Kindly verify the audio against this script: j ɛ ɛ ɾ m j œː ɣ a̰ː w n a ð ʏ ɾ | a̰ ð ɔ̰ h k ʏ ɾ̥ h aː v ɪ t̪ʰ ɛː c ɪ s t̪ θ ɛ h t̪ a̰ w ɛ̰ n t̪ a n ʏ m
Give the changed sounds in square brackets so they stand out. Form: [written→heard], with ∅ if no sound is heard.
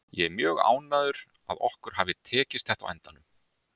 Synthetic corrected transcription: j ɛ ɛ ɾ m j œː ɣ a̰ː w n a ð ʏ ɾ | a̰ ð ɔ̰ h k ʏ ɾ̥ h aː v ɪ t̪ʰ ɛː c ɪ s t̪ θ ɛ h t̪ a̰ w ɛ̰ n t̪ a n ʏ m